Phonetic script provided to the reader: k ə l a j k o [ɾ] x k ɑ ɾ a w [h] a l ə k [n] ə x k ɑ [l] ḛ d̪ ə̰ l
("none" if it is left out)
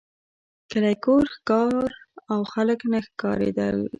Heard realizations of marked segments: ɾ, x, n, ɾ

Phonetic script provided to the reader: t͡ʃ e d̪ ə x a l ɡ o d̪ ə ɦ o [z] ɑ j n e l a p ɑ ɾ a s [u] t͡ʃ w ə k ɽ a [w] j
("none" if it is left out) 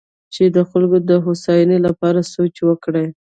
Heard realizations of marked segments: s, o, none

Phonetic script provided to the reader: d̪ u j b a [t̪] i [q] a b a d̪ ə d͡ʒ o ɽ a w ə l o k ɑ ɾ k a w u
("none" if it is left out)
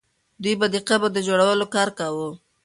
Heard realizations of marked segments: d̪, q

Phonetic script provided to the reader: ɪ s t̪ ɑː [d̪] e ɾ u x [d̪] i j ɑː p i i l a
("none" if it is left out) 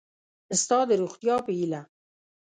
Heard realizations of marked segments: d̪, t̪

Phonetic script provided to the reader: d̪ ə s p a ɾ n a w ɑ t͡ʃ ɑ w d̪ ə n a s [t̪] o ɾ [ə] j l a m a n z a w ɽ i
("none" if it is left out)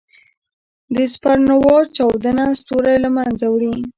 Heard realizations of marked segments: t̪, a

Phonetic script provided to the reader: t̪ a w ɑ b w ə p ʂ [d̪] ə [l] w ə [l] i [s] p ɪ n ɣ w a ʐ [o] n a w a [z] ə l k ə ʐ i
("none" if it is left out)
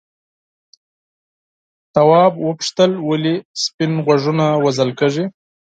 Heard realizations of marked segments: t̪, l, l, s, u, z

